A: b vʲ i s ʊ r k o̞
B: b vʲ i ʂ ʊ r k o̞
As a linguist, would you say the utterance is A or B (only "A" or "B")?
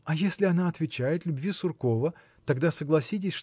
A